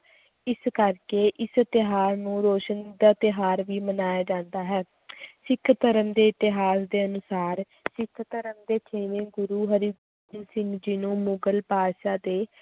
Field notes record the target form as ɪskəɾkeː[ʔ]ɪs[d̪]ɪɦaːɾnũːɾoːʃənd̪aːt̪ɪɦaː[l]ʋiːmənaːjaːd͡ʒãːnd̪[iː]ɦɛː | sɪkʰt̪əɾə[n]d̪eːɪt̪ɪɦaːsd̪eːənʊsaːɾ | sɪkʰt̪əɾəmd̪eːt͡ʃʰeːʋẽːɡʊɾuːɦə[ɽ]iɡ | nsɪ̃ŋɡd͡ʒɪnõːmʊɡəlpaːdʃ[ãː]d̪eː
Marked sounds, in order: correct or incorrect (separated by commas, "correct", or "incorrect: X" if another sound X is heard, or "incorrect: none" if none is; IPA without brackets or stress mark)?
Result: correct, incorrect: t̪, incorrect: ɾ, incorrect: aː, incorrect: m, incorrect: ɾ, incorrect: aː